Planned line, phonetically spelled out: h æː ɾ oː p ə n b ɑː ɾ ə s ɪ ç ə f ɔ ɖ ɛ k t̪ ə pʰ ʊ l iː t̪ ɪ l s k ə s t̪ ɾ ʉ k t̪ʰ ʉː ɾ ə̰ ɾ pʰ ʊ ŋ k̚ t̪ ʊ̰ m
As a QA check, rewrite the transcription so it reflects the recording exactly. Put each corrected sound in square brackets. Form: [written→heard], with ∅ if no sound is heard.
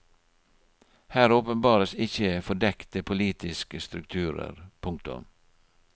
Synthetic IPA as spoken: h æː ɾ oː p ə n b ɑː ɾ ə s ɪ ç ə f ɔ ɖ ɛ k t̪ ə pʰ ʊ l iː t̪ ɪ [l→∅] s k ə s t̪ ɾ ʉ k t̪ʰ ʉː ɾ ə̰ ɾ pʰ ʊ ŋ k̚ t̪ ʊ̰ m